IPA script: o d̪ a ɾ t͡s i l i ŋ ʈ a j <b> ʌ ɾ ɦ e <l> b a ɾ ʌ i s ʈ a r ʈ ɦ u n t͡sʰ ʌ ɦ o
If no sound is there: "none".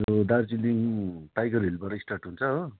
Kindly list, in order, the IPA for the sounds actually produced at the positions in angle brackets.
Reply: ɡ, l

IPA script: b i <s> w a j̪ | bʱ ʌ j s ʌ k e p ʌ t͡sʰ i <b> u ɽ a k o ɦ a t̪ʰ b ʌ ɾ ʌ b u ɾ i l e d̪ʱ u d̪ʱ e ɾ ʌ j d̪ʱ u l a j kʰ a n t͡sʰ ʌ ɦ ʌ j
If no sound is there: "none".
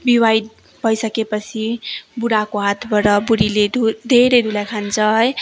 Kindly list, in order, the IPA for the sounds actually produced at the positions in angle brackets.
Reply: none, b

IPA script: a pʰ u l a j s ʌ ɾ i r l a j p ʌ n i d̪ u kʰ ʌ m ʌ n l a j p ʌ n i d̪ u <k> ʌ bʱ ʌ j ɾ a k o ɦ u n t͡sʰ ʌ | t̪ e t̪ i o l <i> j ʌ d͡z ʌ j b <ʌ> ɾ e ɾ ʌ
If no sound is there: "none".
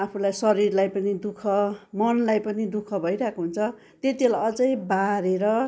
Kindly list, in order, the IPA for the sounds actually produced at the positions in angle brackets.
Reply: kʰ, a, a

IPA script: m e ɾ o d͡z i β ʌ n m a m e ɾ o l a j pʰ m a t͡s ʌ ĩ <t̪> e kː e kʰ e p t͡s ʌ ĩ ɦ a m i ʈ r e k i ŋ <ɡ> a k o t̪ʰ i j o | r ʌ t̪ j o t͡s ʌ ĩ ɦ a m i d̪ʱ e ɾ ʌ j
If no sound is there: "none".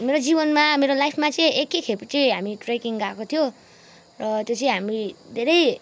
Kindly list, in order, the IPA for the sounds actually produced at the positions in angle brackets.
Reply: none, ɡ

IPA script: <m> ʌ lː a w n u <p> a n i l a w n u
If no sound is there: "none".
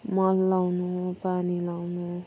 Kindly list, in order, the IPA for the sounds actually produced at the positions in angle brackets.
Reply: m, p

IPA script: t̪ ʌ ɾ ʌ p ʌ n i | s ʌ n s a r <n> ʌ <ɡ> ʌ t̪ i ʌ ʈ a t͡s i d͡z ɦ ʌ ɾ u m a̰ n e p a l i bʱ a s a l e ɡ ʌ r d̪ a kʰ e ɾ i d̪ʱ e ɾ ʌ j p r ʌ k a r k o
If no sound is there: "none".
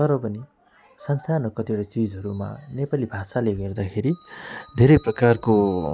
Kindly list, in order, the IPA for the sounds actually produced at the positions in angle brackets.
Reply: n, k

